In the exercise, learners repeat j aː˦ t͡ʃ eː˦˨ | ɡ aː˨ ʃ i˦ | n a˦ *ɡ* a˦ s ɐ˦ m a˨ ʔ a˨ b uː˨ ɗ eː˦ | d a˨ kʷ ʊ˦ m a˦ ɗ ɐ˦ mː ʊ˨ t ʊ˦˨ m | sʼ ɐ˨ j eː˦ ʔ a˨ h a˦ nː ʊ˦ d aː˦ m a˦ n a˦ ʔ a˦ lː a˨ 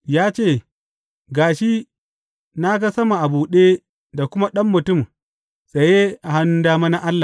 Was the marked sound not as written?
no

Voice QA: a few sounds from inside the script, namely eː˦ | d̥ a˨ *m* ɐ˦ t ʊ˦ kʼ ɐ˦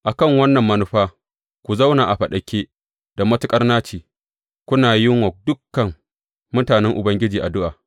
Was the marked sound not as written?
no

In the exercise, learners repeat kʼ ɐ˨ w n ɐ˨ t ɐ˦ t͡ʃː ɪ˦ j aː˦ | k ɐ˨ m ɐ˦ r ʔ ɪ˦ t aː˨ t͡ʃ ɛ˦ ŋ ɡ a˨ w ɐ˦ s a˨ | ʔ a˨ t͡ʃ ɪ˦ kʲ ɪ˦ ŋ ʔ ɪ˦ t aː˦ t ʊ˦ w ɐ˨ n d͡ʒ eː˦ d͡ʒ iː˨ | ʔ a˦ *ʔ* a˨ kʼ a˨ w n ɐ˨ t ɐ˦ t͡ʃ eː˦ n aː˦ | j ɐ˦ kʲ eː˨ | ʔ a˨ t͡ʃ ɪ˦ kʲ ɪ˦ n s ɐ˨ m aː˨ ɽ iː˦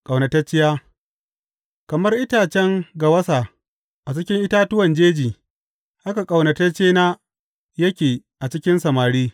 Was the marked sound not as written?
yes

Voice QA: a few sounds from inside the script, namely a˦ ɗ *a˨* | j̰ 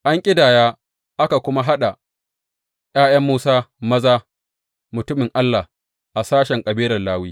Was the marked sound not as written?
no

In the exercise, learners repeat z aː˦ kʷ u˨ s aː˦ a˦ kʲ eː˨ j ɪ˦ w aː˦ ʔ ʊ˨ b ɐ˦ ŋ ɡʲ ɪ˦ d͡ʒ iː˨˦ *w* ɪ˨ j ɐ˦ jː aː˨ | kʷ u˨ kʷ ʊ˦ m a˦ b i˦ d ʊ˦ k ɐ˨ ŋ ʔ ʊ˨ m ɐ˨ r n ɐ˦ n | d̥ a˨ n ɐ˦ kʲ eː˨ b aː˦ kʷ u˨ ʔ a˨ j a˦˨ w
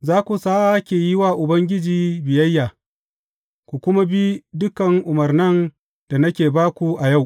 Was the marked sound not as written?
yes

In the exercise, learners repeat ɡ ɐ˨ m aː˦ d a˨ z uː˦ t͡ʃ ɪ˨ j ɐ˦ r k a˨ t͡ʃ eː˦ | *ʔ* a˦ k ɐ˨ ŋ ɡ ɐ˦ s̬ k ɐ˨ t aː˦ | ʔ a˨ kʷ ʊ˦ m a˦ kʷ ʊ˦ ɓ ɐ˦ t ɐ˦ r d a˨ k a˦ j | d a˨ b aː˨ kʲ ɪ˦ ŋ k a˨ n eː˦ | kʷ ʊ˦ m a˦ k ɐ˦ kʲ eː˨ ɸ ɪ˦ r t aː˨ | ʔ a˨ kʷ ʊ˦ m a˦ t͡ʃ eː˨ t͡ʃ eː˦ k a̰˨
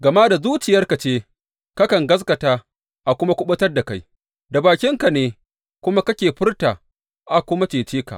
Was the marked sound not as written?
yes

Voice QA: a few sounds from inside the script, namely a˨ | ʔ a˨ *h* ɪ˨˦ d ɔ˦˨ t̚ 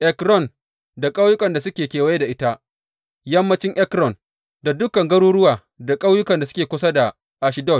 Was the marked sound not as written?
yes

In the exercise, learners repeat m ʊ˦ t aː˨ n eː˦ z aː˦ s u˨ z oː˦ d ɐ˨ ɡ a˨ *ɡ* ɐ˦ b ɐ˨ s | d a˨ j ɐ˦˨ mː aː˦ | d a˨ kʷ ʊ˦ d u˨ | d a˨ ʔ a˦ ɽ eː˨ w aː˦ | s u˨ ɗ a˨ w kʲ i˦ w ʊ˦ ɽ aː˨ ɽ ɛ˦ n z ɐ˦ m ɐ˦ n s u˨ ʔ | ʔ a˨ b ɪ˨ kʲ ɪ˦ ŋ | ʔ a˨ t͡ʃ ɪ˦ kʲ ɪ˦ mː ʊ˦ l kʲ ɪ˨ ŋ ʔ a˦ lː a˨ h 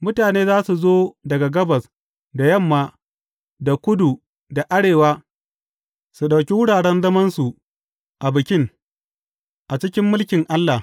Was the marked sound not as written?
no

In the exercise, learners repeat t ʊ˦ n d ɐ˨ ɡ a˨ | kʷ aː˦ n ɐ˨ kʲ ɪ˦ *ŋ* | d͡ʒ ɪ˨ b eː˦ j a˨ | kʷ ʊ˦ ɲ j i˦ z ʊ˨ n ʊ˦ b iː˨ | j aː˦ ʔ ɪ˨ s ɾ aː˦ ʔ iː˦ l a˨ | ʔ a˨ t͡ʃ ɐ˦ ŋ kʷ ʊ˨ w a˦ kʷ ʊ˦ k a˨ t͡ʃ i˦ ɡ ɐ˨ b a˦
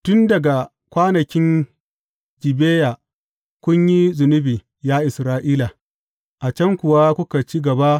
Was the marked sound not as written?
yes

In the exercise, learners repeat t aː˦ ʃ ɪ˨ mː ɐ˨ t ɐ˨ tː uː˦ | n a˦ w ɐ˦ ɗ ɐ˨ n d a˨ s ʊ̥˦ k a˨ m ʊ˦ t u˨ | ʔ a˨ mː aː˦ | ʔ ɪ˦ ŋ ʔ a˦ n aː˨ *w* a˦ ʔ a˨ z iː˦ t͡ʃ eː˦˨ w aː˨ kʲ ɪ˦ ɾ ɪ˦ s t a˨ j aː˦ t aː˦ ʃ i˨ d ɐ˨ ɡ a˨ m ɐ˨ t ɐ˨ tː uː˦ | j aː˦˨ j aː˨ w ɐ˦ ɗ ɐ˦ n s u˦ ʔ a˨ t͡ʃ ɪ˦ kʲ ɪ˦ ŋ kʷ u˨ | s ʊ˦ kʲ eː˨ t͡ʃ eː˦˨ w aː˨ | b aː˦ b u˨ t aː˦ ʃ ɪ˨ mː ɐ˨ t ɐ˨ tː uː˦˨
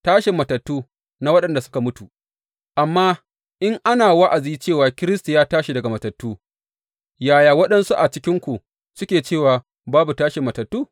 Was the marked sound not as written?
no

